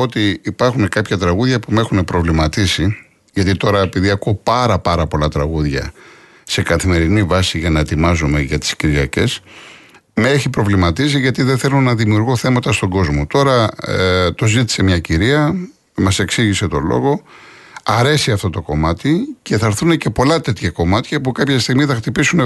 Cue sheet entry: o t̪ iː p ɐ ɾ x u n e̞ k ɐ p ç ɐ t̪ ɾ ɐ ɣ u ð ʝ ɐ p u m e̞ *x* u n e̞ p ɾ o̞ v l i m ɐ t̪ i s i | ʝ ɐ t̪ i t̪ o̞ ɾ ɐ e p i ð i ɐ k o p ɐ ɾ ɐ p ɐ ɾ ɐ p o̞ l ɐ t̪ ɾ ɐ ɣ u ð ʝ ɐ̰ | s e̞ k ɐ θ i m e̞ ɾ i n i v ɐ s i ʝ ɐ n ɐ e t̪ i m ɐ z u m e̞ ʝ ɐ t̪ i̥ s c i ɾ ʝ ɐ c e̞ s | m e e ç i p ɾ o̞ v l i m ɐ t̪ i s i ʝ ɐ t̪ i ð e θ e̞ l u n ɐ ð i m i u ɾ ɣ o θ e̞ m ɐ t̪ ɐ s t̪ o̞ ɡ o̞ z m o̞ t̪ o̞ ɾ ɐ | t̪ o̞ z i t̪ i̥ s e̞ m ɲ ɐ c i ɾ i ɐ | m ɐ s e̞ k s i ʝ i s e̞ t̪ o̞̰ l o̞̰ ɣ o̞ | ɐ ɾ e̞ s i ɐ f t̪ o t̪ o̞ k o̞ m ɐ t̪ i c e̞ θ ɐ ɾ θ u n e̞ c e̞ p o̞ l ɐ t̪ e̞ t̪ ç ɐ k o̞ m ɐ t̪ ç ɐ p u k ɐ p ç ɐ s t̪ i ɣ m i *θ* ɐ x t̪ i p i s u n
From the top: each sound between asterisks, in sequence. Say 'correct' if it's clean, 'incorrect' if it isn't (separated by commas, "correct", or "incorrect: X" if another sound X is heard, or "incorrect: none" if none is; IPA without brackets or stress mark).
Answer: correct, correct